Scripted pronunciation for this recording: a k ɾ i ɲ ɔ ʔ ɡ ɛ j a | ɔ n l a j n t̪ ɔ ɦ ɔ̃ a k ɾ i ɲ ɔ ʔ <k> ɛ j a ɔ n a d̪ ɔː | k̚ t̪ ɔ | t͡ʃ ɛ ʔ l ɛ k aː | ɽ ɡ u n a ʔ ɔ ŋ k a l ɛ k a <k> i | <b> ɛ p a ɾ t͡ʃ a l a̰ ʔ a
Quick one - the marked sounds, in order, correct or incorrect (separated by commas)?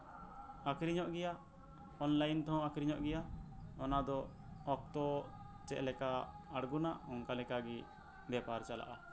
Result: incorrect, incorrect, correct